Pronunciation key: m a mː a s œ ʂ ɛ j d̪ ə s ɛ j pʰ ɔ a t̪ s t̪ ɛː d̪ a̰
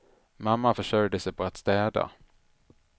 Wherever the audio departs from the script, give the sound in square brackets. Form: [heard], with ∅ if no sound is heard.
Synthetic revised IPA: m a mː a [f] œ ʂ [œ] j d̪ ə s ɛ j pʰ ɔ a t̪ s t̪ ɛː d̪ a̰